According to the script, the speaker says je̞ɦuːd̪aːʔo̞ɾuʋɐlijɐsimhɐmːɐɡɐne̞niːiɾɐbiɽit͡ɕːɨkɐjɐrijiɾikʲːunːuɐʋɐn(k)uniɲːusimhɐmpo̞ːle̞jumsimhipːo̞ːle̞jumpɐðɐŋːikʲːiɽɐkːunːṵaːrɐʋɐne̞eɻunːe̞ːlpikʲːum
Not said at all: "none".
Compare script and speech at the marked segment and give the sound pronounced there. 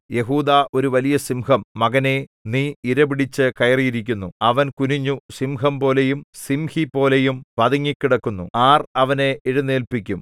k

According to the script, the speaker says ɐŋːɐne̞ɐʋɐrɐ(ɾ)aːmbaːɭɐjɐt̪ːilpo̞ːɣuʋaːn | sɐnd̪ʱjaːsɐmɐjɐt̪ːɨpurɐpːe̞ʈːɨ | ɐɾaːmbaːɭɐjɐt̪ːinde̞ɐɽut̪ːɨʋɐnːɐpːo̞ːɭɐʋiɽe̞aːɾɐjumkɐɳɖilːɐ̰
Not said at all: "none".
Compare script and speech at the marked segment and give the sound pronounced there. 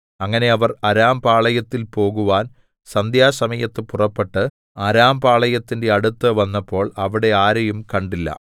ɾ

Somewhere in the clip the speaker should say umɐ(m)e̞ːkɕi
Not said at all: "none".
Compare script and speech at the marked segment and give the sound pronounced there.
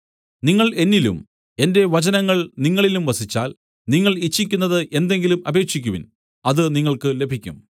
b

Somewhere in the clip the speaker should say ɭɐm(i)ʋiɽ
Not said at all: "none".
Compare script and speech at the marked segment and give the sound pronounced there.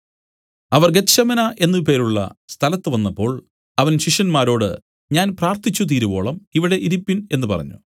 i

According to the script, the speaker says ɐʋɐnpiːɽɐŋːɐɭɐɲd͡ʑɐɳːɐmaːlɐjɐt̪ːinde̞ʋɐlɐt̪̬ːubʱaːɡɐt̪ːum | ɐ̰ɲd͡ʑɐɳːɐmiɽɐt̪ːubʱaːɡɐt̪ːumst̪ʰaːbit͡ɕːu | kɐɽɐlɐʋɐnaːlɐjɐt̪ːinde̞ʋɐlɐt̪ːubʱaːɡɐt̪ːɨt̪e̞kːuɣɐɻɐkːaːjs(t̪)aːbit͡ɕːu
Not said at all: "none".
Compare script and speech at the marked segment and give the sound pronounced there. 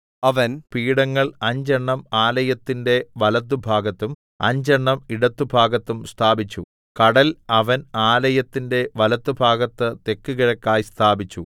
t̪ʰ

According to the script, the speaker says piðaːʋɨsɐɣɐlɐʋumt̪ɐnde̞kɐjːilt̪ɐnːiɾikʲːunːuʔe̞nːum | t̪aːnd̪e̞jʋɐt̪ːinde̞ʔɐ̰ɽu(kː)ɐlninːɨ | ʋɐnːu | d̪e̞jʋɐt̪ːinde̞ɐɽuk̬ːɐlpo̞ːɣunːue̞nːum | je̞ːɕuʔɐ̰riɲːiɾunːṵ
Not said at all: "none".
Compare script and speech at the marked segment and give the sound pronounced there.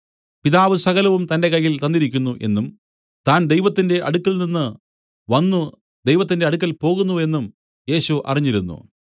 kː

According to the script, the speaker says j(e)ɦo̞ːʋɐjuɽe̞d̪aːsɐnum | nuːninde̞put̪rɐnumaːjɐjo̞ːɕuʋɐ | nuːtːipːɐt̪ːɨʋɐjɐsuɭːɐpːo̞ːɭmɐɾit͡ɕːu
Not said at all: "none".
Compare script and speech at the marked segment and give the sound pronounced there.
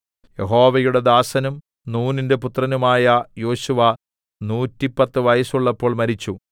e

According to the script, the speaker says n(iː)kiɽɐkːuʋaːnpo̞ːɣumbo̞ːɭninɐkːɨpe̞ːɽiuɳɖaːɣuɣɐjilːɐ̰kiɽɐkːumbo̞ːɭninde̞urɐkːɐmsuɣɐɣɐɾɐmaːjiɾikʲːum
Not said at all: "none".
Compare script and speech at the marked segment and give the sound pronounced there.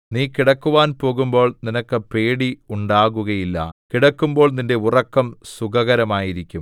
iː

